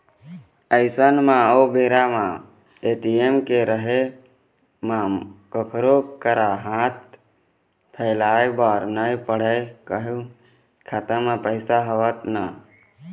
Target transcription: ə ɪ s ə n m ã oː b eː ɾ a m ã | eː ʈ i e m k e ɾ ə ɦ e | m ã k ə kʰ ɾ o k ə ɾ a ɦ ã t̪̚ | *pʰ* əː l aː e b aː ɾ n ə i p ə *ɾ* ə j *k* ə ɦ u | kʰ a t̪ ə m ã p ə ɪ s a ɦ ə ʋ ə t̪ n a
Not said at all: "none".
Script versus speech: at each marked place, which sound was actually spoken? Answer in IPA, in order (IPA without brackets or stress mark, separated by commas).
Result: pʰ, ɽ, k